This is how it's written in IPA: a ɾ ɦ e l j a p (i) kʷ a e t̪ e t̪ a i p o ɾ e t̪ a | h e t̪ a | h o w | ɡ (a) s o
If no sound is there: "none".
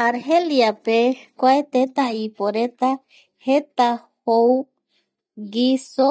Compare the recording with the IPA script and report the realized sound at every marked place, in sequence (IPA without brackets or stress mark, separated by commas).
e, i